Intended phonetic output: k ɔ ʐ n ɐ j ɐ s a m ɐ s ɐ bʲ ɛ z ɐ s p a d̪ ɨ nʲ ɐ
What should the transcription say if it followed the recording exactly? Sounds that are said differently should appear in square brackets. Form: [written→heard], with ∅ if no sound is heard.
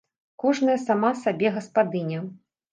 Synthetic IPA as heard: k ɔ ʐ n ɐ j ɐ s a m [ɐ→a] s [ɐ→a] bʲ ɛ [z→ɣ] ɐ s p a d̪ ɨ nʲ ɐ